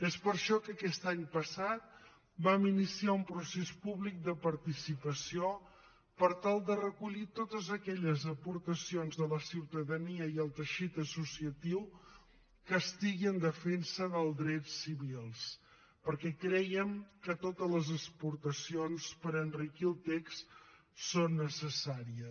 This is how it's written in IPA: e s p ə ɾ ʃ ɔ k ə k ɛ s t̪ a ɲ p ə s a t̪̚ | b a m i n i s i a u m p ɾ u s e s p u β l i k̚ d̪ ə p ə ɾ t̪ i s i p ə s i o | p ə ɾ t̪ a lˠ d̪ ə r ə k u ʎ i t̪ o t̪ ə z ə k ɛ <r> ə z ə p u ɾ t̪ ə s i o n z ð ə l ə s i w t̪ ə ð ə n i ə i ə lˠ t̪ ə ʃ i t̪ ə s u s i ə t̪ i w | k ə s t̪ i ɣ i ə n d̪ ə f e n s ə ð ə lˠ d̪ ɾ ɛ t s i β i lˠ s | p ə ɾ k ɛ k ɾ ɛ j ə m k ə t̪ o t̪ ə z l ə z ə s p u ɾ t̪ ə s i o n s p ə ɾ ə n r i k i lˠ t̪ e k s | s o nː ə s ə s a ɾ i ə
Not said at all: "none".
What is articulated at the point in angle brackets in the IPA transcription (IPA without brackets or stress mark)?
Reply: ʎ